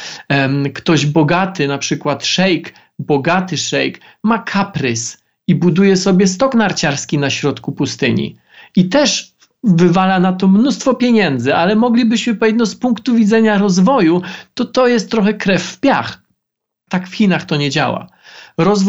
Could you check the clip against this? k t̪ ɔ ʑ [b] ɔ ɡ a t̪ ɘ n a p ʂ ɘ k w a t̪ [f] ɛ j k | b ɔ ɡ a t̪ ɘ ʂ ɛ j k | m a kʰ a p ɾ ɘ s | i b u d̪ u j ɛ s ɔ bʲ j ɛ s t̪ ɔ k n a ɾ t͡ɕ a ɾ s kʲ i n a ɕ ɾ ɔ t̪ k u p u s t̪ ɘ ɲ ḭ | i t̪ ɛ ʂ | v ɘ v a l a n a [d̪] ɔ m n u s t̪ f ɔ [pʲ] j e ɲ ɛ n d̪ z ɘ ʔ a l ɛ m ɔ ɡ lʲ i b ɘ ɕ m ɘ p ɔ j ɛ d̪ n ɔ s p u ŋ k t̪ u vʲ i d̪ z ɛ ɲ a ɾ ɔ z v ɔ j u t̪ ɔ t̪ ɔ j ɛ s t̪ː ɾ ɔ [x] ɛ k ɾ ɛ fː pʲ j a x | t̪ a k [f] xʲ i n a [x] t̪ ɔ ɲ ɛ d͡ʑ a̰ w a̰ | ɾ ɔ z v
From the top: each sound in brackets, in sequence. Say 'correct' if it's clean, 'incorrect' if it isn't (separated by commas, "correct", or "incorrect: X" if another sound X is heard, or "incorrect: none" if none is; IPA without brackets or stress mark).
correct, incorrect: ʂ, incorrect: t̪, correct, correct, correct, correct